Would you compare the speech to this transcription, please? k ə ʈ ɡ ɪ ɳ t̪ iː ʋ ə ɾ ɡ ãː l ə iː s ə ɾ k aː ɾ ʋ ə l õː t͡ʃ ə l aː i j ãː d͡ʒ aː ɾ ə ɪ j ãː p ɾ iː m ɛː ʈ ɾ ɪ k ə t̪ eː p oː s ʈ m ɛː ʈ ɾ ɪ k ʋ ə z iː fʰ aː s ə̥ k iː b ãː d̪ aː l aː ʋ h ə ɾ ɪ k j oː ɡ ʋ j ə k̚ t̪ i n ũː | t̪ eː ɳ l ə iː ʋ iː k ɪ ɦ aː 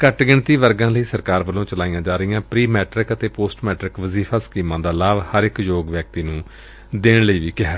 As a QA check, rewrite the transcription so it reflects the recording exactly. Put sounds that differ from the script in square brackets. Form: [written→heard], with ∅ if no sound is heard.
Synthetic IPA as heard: k ə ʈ ɡ ɪ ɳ t̪ iː ʋ ə ɾ ɡ ãː l ə iː s ə ɾ k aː ɾ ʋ ə l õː t͡ʃ ə l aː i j ãː d͡ʒ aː ɾ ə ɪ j ãː p ɾ iː m ɛː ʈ ɾ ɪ k ə t̪ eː p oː s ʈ m ɛː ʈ ɾ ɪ k ʋ ə z iː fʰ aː s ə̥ k iː [b→m] ãː d̪ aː l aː ʋ h ə ɾ ɪ k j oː ɡ ʋ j ə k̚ t̪ [i→iː] n ũː | [t̪→d̪] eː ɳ l ə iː ʋ iː k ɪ ɦ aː